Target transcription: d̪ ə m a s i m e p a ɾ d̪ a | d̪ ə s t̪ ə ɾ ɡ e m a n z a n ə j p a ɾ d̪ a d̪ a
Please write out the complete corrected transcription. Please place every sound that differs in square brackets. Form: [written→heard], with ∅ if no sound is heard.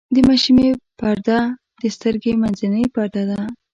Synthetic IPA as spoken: d̪ ə m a [s→ʃ] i m e p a ɾ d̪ a | d̪ ə s t̪ ə ɾ ɡ e m a n z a n ə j p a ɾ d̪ a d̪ a